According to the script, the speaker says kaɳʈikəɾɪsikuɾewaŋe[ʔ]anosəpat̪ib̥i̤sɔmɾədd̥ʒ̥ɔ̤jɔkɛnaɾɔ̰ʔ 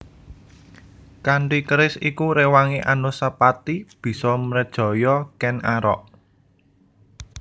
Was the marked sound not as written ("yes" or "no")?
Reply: no